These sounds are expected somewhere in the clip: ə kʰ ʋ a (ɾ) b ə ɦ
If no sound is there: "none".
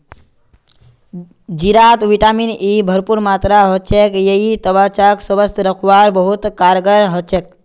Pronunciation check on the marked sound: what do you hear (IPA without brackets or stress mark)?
ɾ